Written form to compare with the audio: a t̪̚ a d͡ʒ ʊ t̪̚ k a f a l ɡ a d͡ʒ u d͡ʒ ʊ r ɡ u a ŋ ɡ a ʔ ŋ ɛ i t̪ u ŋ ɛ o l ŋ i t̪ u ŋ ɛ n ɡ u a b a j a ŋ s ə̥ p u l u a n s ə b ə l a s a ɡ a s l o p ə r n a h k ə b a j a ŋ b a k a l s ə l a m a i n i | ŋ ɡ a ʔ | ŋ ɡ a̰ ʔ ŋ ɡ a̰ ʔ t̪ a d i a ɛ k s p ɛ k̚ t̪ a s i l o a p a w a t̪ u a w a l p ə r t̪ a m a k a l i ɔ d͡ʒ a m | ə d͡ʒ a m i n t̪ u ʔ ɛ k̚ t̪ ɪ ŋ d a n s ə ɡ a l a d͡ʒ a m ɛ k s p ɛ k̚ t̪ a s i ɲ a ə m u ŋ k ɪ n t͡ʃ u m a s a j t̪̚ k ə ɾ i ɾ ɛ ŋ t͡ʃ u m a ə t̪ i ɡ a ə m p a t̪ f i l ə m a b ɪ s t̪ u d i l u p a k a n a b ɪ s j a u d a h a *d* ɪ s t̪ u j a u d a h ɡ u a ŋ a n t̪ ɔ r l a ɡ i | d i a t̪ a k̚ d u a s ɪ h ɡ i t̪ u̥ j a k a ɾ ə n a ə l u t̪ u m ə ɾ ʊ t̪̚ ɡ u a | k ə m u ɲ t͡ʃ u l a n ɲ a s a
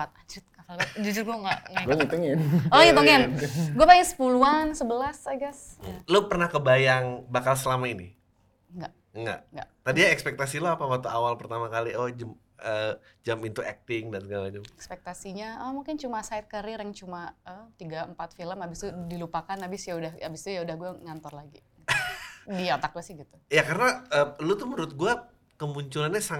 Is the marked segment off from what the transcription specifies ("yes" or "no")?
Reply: yes